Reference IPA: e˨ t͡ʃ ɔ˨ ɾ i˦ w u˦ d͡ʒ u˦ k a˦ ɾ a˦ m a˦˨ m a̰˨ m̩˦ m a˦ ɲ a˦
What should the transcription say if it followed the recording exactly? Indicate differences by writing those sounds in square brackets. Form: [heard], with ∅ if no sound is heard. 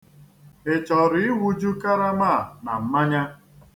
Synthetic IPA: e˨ t͡ʃ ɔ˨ ɾ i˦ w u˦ d͡ʒ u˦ k a˦ ɾ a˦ m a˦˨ [n] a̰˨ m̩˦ m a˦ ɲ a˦